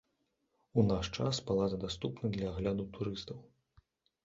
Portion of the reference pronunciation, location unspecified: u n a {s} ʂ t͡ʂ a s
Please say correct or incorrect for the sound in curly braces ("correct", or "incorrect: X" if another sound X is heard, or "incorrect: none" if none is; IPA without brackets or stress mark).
incorrect: none